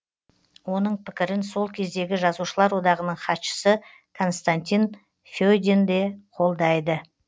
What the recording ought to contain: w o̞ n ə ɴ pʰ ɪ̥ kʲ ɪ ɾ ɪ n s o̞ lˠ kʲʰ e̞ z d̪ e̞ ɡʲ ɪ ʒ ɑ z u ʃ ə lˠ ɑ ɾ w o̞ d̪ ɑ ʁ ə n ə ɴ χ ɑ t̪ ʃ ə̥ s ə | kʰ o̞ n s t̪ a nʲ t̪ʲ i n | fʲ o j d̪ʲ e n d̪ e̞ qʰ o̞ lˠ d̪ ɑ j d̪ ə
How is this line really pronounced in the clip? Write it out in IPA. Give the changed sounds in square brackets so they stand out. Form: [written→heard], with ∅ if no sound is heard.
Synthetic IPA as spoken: w o̞ n ə ɴ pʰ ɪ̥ kʲ ɪ ɾ ɪ n s o̞ lˠ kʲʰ e̞ z d̪ e̞ ɡʲ ɪ ʒ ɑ z u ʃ ə lˠ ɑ ɾ w o̞ d̪ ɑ ʁ ə n ə ɴ χ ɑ t̪ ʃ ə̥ s ə | kʰ o̞ n s t̪ a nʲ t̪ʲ i n | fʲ o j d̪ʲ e n d̪ e̞ qʰ o̞ lˠ d̪ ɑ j d̪ ə